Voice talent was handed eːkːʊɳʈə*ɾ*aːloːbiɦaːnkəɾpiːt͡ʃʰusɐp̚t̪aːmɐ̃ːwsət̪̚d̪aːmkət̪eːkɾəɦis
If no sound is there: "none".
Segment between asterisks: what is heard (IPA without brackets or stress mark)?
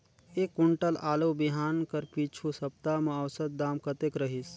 l